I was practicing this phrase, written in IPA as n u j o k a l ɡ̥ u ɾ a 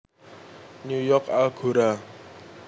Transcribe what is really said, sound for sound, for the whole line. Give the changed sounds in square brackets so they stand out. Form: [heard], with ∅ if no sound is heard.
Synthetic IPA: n u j [ɔ] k a l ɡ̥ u ɾ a

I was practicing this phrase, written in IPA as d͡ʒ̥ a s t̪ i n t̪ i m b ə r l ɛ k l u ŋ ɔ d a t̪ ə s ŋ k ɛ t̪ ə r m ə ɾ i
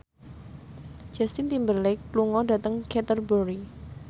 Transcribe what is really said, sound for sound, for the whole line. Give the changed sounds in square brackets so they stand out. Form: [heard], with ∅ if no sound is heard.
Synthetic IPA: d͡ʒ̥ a s t̪ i n t̪ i m b ə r l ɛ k l u ŋ ɔ d a t̪ ə [∅] ŋ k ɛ t̪ ə r [b] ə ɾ i

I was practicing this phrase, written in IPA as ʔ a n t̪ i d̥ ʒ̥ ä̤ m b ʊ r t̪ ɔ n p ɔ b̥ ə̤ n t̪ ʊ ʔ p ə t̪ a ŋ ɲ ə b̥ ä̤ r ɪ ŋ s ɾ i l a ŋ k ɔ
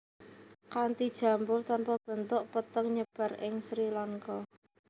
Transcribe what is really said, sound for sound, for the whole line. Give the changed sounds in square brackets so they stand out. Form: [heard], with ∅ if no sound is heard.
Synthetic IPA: [k] a n t̪ i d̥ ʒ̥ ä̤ m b ʊ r t̪ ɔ n p ɔ b̥ ə̤ n t̪ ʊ ʔ p ə t̪ [ə] ŋ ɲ ə b̥ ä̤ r ɪ ŋ s ɾ i l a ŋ k ɔ

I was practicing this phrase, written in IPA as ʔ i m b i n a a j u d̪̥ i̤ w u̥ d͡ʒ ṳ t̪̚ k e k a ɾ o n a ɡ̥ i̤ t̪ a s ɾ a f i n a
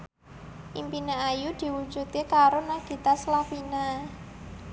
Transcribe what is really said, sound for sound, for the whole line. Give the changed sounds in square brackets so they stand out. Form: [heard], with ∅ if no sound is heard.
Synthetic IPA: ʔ i m [p] i n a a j u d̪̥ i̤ w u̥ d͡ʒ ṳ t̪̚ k e k a ɾ o n a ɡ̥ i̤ t̪ a s [l] a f i n a

